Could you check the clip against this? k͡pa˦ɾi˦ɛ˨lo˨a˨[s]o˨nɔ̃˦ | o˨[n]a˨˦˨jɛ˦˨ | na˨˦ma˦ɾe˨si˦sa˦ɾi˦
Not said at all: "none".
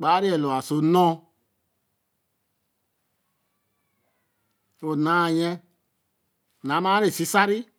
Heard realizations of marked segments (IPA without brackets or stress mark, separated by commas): s, n